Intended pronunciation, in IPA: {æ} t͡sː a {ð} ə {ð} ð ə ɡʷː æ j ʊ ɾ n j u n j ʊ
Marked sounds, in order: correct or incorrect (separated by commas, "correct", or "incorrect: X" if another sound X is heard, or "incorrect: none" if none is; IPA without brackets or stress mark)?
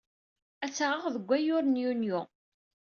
correct, incorrect: ʁ, incorrect: ʁ